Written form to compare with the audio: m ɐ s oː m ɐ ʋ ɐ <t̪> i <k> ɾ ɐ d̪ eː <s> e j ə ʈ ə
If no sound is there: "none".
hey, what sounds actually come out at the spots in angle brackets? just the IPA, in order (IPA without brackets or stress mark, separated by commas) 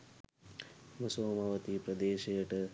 t̪, p, ʃ